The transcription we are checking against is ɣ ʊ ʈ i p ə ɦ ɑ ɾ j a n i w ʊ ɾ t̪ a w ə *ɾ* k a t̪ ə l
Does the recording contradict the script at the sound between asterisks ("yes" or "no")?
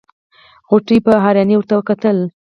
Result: yes